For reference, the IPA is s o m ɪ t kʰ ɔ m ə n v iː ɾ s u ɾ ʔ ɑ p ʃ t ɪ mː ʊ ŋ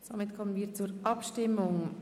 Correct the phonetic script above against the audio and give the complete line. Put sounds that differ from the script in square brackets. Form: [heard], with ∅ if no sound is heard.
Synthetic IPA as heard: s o m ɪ t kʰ ɔ m ə n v iː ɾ [t͡s] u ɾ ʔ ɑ p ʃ t ɪ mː ʊ ŋ